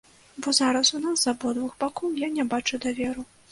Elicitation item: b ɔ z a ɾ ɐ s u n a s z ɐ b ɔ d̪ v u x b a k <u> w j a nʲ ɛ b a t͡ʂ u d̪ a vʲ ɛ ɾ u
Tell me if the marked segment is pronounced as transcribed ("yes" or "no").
no